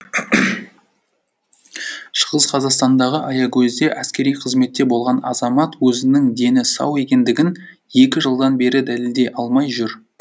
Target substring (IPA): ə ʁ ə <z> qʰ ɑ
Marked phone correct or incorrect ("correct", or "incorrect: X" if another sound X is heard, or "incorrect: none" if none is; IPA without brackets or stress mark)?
correct